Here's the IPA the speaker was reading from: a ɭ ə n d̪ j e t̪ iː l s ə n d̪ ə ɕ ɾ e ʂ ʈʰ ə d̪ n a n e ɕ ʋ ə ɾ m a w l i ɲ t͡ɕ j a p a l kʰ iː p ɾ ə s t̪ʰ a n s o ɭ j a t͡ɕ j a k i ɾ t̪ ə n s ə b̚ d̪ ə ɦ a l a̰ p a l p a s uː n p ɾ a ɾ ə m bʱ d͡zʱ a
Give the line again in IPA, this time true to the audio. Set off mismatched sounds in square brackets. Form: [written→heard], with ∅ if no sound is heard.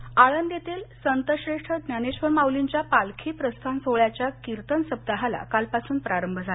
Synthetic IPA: a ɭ ə n d̪ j e t̪ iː l s ə n [d̪→t̪] ə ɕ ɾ e ʂ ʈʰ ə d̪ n a n e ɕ ʋ ə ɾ m a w l i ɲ t͡ɕ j a p a l kʰ iː p ɾ ə s t̪ʰ a n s o ɭ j a t͡ɕ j a k i ɾ t̪ ə n s ə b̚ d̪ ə ɦ a l a̰ [p→k] a l p a s uː n p ɾ a ɾ ə m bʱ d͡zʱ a